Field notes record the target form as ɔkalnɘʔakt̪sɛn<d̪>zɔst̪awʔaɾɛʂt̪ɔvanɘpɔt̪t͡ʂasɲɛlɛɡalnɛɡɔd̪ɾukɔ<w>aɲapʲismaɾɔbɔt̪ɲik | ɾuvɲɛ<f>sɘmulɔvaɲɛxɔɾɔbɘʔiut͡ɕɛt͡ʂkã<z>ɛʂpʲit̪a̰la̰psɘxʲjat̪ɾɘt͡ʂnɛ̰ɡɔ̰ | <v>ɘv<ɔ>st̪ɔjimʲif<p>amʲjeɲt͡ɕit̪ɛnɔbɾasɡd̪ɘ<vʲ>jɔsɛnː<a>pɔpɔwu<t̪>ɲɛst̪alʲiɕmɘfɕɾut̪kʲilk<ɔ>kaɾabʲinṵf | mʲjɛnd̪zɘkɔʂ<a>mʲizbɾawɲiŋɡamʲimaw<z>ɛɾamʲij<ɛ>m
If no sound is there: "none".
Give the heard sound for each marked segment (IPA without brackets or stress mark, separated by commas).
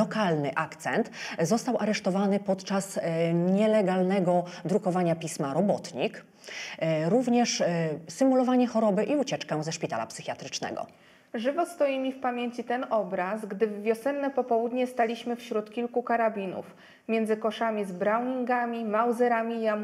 t̪, v, ʂ, z, ʐ, ɔ, p, vːʲ, ɛ, d̪, u, a, z, a